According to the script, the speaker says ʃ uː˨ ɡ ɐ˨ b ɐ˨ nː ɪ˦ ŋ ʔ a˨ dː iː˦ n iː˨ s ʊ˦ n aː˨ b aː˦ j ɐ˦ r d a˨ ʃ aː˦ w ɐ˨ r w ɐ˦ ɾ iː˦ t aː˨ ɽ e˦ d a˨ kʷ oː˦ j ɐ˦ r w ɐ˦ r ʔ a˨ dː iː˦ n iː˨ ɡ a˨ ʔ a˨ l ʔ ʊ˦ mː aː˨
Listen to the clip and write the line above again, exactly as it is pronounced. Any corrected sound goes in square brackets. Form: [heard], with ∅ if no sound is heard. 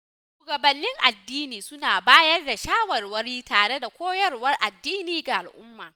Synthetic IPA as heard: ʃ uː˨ ɡ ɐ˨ b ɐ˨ nː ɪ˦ ŋ ʔ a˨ dː iː˦ n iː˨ s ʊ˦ n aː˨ b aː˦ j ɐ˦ r d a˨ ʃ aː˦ w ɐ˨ r w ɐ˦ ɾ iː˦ t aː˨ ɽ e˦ d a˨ kʷ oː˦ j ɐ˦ r w ɐ˦ r ʔ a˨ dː iː˦ n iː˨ ɡ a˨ ʔ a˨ l ʔ ʊ˦ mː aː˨